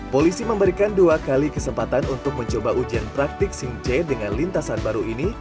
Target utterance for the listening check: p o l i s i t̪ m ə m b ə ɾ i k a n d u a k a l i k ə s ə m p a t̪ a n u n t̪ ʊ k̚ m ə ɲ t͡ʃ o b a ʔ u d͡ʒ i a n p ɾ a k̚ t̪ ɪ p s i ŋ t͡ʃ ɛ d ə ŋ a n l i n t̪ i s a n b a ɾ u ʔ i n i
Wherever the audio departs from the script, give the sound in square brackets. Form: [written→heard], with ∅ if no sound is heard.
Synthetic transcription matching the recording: p o l i s i [t̪→∅] m ə m b ə ɾ i k a n d u a k a l i k ə s ə m p a t̪ a n u n t̪ ʊ k̚ m ə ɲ t͡ʃ o b a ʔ u d͡ʒ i a n p ɾ a k̚ t̪ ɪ [p→k] s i ŋ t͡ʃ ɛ d ə ŋ a n l i n t̪ [i→a] s a n b a ɾ u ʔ i n i